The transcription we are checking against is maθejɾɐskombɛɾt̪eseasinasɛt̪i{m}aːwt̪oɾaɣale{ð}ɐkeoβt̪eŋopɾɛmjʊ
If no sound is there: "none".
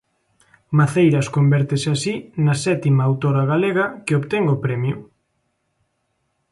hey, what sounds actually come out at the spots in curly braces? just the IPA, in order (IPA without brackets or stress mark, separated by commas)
m, ɣ